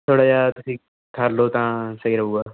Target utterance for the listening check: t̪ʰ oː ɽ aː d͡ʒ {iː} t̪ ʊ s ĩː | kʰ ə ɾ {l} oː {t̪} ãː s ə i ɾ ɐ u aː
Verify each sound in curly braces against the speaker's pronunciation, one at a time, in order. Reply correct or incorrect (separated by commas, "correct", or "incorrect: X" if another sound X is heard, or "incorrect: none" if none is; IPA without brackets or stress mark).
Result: incorrect: aː, correct, correct